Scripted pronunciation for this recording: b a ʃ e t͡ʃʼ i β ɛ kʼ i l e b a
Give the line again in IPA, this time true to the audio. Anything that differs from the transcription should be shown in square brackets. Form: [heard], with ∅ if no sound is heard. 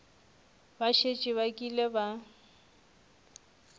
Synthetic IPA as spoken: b a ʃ e t͡ʃʼ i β [a] kʼ i l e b a